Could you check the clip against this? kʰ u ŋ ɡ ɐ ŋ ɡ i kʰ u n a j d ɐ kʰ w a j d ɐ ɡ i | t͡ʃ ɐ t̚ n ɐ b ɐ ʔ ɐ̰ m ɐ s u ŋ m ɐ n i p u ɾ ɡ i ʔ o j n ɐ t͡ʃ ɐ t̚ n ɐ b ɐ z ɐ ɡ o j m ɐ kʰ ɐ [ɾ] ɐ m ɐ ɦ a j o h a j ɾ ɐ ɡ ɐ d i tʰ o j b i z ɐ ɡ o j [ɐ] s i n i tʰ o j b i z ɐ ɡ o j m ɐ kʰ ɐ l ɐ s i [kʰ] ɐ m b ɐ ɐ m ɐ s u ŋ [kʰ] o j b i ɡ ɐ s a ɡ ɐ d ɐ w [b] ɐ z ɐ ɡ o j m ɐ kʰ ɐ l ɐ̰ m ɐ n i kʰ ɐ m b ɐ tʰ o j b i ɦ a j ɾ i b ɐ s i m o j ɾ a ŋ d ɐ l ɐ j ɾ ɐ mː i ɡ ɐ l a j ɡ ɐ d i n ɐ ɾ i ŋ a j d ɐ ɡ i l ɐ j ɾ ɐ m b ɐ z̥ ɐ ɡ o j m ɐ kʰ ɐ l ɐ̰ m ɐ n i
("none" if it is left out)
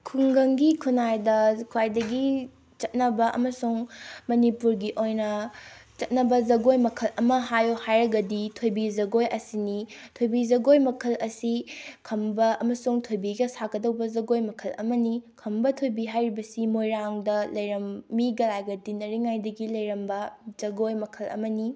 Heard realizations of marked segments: l, ɐ, kʰ, tʰ, b

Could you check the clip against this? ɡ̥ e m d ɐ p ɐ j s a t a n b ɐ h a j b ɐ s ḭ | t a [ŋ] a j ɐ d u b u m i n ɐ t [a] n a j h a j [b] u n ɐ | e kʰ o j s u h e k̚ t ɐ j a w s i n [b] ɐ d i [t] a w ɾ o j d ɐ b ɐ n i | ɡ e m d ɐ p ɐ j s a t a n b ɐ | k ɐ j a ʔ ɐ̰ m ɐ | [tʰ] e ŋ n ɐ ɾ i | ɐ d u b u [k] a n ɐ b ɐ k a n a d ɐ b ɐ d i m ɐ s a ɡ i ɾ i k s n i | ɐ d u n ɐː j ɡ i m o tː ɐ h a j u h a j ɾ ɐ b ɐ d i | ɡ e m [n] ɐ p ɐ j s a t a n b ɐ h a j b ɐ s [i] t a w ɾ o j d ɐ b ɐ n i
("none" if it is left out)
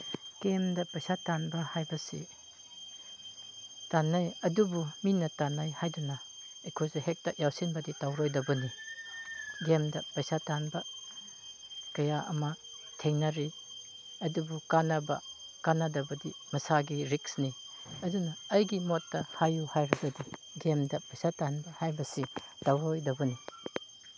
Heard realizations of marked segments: n, a, d, b, t, tʰ, k, d, i

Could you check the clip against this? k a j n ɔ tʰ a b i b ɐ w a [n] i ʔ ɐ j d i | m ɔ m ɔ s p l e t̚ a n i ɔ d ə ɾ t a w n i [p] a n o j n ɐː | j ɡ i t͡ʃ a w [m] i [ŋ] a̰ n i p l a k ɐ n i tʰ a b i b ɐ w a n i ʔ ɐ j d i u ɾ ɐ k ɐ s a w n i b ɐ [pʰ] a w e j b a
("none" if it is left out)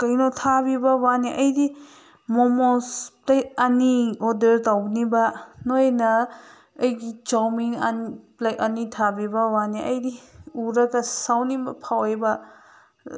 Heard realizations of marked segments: n, b, m, ŋ, pʰ

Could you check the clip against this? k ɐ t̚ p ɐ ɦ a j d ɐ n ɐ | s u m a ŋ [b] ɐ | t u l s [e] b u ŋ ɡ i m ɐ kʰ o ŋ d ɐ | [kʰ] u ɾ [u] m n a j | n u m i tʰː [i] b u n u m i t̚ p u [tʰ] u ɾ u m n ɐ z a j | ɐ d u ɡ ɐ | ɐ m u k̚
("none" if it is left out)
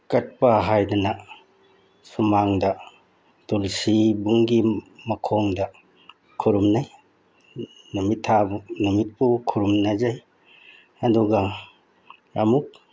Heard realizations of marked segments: d, i, kʰ, u, a, kʰ

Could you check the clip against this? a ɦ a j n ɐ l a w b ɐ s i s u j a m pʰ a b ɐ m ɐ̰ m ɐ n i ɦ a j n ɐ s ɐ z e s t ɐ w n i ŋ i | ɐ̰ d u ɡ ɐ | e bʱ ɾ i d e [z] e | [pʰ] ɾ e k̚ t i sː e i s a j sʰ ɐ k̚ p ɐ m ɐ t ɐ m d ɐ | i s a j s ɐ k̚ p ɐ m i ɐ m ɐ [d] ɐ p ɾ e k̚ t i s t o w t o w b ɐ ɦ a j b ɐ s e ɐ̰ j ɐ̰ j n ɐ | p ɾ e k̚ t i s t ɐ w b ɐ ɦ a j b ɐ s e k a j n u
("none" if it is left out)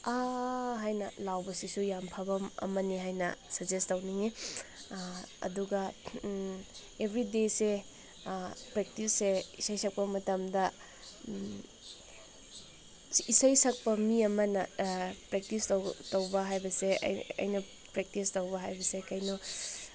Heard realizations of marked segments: s, p, n

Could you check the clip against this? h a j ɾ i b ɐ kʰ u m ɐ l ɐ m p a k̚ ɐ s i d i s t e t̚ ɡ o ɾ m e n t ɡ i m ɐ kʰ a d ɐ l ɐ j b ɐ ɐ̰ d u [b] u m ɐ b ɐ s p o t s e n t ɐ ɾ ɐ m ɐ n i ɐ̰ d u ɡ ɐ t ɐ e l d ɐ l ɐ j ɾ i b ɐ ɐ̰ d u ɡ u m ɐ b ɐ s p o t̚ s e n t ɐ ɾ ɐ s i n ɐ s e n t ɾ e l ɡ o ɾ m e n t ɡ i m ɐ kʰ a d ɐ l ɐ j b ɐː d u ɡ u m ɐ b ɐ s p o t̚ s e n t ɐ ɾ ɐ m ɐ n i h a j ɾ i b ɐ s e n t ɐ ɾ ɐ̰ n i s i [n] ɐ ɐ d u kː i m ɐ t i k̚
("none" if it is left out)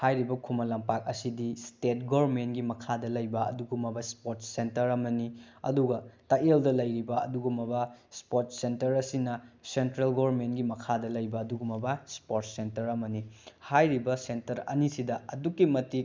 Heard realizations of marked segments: ɡ, d

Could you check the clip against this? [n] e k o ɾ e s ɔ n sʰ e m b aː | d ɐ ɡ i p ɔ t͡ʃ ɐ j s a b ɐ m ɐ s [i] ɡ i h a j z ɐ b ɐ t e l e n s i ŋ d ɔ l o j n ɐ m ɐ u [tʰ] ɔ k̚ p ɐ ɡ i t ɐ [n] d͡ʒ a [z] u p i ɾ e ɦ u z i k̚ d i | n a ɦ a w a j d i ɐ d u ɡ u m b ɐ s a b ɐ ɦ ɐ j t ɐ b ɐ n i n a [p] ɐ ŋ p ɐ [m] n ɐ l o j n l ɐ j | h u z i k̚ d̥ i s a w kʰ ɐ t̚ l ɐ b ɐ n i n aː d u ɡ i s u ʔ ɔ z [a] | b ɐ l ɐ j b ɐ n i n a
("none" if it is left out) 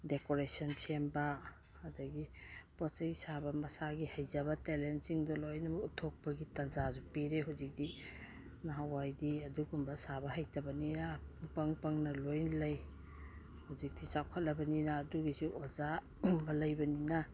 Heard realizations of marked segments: d, a, tʰ, n, z, p, ŋ, a

